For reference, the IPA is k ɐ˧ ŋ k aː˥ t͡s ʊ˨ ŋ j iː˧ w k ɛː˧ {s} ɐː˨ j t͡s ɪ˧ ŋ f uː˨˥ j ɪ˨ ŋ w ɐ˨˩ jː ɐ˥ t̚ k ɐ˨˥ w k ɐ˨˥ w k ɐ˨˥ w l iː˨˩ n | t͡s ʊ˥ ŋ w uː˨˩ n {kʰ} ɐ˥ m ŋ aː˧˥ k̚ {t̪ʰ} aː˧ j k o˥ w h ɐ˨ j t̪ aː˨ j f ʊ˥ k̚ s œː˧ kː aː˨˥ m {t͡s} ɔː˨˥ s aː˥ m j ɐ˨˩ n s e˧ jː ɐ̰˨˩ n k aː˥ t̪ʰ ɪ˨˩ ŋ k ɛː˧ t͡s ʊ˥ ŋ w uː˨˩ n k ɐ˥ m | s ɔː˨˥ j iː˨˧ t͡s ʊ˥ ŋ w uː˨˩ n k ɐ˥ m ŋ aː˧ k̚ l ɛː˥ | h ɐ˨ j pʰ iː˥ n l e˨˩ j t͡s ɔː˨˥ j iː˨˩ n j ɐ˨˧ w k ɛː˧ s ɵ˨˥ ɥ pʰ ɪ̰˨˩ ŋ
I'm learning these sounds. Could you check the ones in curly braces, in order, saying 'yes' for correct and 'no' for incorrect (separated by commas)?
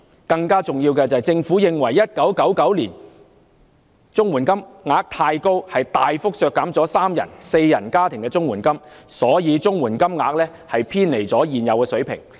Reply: no, no, yes, yes